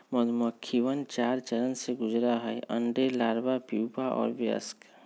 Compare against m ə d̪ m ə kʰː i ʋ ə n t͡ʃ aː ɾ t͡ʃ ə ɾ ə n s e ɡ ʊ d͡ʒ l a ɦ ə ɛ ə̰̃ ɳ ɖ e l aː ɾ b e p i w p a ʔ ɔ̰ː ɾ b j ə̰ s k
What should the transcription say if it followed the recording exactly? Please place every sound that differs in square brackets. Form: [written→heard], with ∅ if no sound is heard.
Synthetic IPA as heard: m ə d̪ m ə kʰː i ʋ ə n t͡ʃ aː ɾ t͡ʃ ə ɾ ə n s e ɡ ʊ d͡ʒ [l→ɾ] a ɦ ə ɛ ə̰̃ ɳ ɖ e l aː ɾ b [e→a] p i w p a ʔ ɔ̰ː ɾ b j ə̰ s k